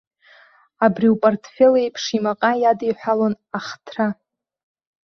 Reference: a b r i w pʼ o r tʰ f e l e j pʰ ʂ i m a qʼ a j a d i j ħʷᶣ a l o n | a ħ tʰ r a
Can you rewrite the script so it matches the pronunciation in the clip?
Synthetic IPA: a b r i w pʼ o r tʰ f e l e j pʰ ʂ i m a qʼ a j a d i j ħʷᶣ a l o n | a χ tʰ r a